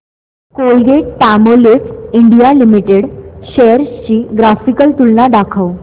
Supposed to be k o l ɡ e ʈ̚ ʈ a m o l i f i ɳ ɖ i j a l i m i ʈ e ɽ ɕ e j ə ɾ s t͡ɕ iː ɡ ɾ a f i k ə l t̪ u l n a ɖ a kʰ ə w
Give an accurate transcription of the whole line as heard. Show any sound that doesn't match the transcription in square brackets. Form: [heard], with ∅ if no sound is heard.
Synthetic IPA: k o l ɡ e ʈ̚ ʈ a m o l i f i ɳ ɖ i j a l i m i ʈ e ɽ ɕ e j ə ɾ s t͡ɕ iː ɡ ɾ a f i k ə l t̪ u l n a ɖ a kʰ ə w